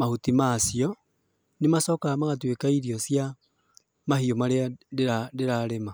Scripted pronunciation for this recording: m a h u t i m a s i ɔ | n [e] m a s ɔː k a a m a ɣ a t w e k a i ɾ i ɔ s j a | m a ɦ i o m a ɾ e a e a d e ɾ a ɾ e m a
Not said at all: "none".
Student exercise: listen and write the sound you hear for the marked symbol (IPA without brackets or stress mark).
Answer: e